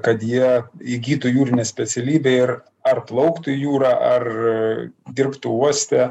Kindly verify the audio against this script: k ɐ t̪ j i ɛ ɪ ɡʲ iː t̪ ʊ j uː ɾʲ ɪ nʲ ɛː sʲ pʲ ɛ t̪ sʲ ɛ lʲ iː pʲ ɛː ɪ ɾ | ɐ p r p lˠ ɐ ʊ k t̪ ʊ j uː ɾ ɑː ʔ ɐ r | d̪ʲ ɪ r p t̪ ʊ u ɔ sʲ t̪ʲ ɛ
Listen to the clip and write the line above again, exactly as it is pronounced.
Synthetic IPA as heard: k ɐ t̪ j i ɛ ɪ ɡʲ iː t̪ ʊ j uː ɾʲ ɪ nʲ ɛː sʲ pʲ ɛ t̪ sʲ ɛ lʲ iː bʲ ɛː ɪ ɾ | ɐ r p lˠ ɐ ʊ k t̪ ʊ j uː ɾ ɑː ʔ ɐ r | d̪ʲ ɪ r p t̪ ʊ u ɔ sʲ t̪ʲ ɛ